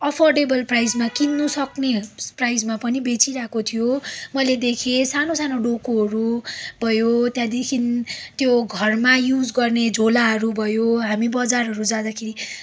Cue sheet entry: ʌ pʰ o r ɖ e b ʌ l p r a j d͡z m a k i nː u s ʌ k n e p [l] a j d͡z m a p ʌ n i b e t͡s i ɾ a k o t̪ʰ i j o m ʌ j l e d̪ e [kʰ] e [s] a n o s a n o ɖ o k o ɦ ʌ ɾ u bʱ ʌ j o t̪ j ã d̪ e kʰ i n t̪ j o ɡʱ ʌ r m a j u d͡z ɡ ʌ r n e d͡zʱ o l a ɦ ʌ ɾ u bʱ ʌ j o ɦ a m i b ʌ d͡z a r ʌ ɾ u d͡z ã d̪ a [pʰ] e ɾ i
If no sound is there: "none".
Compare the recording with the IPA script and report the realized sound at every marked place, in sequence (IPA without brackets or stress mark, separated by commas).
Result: r, kʰ, s, kʰ